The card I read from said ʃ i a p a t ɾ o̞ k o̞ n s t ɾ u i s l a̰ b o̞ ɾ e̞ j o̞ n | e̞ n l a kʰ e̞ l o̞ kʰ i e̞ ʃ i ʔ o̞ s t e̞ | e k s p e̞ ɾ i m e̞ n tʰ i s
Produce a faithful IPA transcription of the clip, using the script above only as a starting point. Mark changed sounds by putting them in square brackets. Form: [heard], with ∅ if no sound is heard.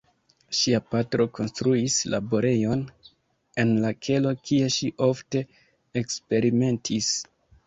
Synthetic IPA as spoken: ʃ i a p a t ɾ o̞ k o̞ n s t ɾ u i s l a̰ b o̞ ɾ e̞ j o̞ n | e̞ n l a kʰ e̞ l o̞ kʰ i e̞ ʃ i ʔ o̞ [f] t e̞ | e k s p e̞ ɾ i m e̞ n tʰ i s